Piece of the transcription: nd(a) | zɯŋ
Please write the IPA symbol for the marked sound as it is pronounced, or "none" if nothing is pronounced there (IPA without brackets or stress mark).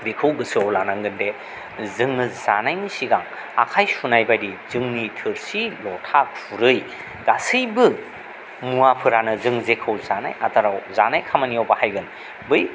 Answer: e